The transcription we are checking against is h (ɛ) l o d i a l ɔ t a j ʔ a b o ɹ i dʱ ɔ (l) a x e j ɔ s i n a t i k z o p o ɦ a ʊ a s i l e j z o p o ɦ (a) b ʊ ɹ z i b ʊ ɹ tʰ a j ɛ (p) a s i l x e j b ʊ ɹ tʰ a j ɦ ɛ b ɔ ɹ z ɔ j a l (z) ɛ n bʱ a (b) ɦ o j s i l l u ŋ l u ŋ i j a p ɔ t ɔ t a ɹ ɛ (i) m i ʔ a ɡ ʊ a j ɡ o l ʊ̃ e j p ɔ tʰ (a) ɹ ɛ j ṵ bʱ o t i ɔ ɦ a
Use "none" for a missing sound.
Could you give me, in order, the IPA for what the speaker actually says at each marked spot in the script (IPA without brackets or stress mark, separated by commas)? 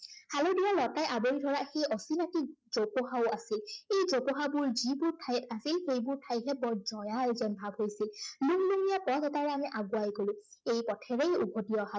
a, ɹ, a, t, z, b, a, ɛ